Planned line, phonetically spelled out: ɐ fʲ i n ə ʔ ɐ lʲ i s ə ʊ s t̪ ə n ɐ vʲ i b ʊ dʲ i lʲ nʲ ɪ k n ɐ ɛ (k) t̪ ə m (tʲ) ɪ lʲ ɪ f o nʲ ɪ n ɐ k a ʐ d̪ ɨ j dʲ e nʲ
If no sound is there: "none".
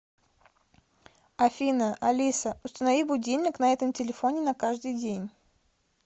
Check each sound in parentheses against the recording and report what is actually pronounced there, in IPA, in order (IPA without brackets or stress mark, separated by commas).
none, tʲ